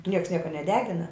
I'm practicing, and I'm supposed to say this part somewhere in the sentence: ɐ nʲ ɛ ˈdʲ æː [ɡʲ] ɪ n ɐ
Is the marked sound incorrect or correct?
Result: correct